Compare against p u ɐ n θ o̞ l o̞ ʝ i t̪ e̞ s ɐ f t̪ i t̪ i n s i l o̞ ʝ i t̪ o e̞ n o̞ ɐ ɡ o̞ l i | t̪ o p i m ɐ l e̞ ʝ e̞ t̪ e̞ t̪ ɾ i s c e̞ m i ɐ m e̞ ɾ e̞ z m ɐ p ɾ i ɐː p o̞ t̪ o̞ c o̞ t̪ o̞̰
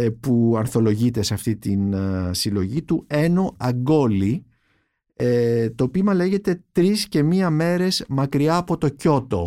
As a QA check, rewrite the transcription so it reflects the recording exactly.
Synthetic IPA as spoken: p u ɐ n θ o̞ l o̞ ʝ i t̪ e̞ s ɐ f t̪ i t̪ i n s i l o̞ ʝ i t̪ u e̞ n o̞ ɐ ɡ o̞ l i | t̪ o p i m ɐ l e̞ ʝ e̞ t̪ e̞ t̪ ɾ i s c e̞ m i ɐ m e̞ ɾ e̞ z m ɐ k ɾ i ɐː p o̞ t̪ o̞ c o̞ t̪ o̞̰